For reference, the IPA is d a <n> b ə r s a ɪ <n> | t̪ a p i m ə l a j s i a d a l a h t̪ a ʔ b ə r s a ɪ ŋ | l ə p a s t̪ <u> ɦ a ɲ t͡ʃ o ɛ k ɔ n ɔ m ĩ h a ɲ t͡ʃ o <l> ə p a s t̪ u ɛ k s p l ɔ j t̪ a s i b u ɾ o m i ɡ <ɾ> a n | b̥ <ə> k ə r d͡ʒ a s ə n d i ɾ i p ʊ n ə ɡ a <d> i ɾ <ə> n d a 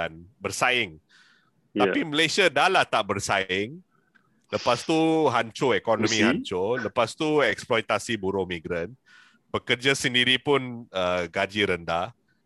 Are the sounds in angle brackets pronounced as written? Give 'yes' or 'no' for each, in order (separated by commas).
yes, no, yes, yes, yes, yes, no, yes